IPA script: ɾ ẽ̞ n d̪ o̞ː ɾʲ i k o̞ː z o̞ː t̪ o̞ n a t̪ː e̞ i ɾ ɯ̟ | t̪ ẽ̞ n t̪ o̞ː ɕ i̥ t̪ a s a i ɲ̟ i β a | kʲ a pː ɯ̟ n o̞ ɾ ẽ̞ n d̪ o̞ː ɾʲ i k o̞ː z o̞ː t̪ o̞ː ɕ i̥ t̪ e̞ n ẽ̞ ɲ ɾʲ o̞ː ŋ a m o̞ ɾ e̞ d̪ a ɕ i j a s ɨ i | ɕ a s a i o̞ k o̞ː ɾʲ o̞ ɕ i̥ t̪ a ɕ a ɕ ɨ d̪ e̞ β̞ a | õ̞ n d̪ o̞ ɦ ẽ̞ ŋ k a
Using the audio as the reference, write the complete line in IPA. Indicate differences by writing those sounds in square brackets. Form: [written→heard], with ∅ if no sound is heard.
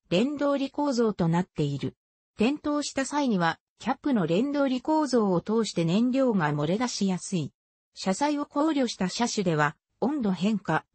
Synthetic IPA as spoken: ɾ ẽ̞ n d̪ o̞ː ɾʲ i k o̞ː z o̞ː t̪ o̞ n a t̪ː e̞ i ɾ ɯ̟ | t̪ ẽ̞ n t̪ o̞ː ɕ i̥ t̪ a s a i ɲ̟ i β a | kʲ a pː ɯ̟ n o̞ ɾ ẽ̞ n d̪ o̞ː ɾʲ i k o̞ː z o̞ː t̪ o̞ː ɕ i̥ t̪ e̞ n ẽ̞ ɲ ɾʲ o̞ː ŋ a m o̞ ɾ e̞ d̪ a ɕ i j a s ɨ i | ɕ a s a i o̞ k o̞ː ɾʲ o̞ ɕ i̥ t̪ a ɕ a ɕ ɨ d̪ e̞ β̞ a | õ̞ n d̪ o̞ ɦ ẽ̞ ŋ k a